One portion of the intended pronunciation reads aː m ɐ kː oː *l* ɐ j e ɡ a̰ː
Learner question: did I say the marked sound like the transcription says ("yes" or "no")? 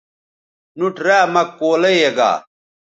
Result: yes